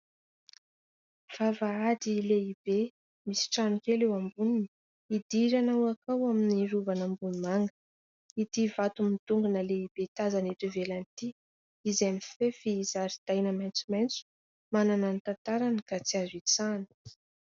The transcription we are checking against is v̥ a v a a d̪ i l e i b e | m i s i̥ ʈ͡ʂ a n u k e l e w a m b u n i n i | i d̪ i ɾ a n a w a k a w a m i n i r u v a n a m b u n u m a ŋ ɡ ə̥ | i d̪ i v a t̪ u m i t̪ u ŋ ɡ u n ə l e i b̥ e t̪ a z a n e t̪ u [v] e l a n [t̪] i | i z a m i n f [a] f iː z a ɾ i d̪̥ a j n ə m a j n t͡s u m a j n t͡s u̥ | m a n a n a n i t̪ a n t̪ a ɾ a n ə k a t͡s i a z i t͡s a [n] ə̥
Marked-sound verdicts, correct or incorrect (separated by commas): correct, correct, incorrect, correct